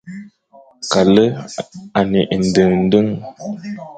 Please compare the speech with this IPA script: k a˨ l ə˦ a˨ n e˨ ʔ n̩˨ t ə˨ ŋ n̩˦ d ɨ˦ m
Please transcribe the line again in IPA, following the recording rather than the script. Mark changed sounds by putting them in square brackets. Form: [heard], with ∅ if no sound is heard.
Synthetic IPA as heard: k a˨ l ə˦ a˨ n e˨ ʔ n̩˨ [d] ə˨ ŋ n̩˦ d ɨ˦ [ŋ]